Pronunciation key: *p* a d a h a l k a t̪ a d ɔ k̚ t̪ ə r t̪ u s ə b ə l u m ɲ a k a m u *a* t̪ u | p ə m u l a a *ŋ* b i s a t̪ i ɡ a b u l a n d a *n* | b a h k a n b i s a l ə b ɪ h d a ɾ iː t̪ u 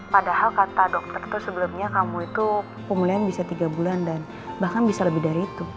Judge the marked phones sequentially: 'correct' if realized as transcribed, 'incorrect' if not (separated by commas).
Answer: correct, incorrect, incorrect, correct